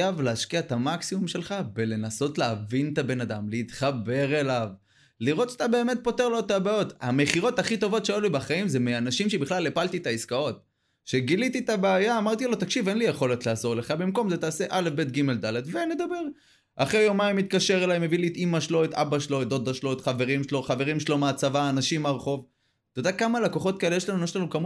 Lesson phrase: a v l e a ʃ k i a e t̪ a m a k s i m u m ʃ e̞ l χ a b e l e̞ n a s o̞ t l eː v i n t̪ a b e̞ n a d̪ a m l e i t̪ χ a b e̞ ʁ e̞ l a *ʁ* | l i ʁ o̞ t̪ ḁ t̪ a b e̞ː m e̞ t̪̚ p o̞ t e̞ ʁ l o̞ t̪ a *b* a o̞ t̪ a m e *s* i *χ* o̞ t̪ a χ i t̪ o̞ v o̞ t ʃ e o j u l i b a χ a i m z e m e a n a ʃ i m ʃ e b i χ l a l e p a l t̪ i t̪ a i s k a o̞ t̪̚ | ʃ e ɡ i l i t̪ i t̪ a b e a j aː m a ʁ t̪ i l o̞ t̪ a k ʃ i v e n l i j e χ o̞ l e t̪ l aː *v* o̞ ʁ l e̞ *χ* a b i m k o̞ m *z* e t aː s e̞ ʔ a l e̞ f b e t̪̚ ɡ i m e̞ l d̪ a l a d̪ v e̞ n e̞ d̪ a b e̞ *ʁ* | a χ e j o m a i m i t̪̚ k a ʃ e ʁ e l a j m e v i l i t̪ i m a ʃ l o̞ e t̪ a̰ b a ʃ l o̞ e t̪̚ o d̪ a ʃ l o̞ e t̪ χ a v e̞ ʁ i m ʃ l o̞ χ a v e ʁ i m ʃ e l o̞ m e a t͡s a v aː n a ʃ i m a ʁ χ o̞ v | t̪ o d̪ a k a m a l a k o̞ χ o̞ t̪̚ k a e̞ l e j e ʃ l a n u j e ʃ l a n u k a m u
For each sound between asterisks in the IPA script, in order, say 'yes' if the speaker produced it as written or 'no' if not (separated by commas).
no, yes, no, no, no, yes, yes, yes